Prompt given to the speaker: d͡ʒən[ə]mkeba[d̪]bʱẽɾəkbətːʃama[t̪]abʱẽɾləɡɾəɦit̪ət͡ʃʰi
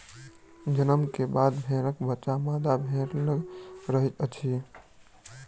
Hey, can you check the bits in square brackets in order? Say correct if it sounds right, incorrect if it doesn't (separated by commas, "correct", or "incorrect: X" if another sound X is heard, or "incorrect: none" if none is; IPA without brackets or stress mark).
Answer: correct, correct, incorrect: d̪